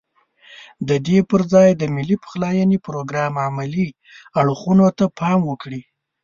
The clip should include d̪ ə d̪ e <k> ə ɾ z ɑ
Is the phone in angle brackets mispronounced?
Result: yes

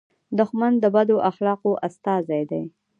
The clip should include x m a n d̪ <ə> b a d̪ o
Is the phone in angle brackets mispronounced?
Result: no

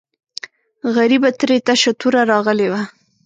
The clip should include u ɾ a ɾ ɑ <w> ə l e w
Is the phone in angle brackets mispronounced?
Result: yes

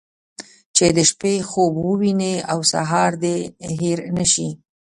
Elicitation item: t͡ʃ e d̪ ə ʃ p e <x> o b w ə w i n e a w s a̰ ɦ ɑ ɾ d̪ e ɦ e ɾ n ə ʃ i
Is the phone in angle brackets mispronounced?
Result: no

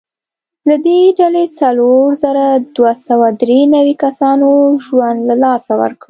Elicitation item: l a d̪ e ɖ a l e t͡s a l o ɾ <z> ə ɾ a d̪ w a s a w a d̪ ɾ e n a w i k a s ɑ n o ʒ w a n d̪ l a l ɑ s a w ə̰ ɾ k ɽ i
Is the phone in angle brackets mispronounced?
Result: no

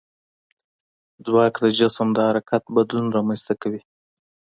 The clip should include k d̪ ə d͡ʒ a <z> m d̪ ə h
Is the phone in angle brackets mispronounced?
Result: yes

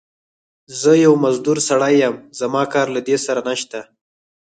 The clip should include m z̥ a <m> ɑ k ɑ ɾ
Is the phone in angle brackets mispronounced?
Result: no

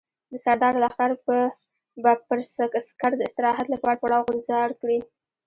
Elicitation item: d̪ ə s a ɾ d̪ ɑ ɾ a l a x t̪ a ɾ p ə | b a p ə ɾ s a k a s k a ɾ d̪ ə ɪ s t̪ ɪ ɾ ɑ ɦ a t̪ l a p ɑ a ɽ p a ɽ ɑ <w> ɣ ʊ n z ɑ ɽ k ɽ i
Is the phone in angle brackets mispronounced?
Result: no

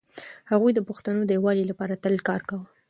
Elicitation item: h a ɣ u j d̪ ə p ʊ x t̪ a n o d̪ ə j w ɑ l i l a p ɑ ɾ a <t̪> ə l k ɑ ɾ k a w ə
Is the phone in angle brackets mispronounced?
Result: no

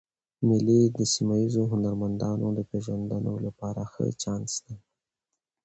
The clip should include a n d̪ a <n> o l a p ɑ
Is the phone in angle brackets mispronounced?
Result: no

